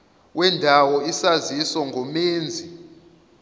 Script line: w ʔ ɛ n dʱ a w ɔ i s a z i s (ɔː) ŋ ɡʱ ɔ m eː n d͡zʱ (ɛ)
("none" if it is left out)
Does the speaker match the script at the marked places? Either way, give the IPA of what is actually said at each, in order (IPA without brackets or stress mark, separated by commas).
ɔ, i